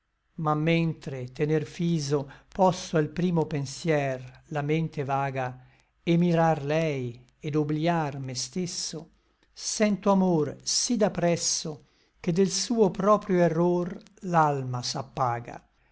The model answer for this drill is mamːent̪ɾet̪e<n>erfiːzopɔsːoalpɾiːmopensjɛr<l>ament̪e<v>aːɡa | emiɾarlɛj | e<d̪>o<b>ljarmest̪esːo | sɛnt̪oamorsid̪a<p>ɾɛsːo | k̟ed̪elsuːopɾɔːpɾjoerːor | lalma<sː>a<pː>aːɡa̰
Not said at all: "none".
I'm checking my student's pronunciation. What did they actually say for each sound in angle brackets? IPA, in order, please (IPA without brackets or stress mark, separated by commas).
n, l, v, d̪, b, p, s, pː